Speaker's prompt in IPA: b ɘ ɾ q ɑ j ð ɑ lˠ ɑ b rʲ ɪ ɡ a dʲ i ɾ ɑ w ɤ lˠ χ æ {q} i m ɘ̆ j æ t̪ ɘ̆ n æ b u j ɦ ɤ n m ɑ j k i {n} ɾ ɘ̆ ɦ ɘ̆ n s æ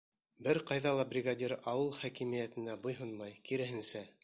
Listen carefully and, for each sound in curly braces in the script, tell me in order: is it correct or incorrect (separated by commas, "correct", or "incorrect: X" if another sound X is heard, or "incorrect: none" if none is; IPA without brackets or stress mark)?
incorrect: k, incorrect: none